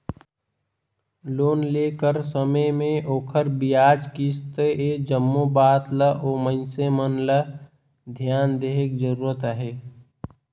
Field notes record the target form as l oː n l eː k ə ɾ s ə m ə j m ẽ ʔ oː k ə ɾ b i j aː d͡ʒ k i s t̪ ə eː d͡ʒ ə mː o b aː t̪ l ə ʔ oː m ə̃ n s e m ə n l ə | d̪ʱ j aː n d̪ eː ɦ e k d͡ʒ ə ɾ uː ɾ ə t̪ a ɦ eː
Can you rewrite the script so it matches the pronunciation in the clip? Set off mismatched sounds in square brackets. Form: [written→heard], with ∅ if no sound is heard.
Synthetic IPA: l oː n l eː k ə ɾ s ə m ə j m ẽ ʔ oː [k→kʰ] ə ɾ b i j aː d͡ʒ k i s t̪ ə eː d͡ʒ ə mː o b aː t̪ l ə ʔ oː m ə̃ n s e m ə n l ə | d̪ʱ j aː n d̪ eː ɦ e k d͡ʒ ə ɾ uː ɾ ə t̪ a ɦ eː